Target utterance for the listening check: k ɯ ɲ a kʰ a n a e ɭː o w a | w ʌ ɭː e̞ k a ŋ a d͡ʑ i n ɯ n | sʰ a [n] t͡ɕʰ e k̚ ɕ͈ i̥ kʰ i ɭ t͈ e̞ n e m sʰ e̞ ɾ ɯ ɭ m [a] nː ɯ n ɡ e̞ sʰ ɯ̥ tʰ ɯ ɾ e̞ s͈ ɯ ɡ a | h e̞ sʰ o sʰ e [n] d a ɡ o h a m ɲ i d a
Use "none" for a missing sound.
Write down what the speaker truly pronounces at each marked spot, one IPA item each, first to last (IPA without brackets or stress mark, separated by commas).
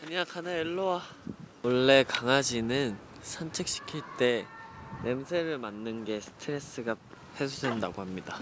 n, a, n